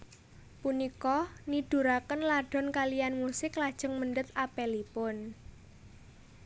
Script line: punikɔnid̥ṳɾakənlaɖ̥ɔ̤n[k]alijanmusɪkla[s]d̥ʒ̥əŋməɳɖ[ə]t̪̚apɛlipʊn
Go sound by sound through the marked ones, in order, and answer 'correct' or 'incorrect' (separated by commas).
correct, incorrect, correct